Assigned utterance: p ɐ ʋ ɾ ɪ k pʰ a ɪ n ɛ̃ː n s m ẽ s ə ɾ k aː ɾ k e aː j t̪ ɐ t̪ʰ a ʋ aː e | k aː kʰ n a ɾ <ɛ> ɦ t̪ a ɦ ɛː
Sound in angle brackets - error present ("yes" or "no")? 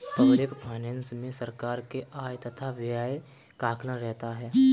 no